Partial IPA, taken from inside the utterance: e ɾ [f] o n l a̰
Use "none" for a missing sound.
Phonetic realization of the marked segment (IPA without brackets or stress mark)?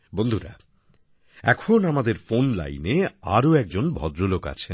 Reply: f